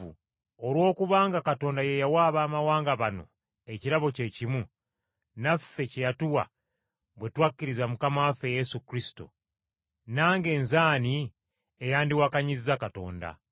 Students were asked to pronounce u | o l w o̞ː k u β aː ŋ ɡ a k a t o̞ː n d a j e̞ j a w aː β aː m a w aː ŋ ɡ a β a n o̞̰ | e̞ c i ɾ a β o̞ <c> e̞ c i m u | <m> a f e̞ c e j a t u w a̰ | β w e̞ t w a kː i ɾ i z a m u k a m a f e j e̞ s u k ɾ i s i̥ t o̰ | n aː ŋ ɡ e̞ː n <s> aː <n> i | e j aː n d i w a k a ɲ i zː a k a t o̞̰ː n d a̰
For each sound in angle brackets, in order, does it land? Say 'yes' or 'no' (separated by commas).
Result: yes, no, no, yes